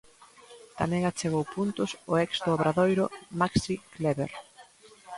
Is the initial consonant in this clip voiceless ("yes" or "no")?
yes